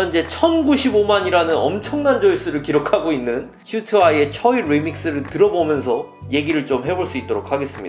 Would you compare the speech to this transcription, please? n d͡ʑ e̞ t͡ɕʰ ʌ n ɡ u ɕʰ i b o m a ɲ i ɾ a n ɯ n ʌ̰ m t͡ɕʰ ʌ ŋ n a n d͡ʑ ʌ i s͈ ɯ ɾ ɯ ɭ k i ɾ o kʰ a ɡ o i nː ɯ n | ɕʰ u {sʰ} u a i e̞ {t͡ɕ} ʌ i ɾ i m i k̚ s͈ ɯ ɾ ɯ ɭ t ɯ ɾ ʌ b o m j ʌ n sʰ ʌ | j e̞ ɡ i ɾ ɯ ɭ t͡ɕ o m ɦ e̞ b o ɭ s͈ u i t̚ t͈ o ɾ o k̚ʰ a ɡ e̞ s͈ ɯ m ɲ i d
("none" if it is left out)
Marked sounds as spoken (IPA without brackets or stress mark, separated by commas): tʰ, t͡ɕʰ